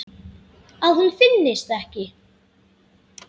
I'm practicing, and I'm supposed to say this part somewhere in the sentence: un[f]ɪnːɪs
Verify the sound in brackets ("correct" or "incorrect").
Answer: correct